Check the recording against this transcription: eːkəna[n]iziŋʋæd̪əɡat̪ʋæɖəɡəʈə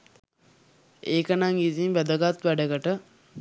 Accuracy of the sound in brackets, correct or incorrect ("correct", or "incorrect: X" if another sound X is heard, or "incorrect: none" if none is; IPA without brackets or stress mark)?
incorrect: ŋ